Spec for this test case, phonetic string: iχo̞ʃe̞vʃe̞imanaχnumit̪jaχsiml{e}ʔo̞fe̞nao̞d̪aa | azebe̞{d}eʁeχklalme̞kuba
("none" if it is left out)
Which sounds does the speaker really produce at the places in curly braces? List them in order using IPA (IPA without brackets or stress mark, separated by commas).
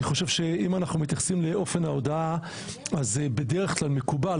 e, d